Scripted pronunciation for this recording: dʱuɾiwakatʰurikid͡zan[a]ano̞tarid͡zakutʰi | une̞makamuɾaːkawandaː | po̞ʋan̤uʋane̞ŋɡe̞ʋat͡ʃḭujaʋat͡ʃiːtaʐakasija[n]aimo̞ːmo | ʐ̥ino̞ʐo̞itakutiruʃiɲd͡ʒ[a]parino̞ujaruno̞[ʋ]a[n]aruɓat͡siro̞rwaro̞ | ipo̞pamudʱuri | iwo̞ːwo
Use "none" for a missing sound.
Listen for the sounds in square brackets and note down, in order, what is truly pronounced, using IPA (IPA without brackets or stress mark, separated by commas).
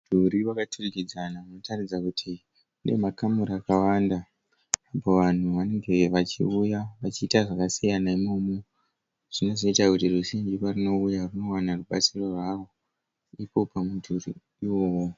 a, n, i, w, n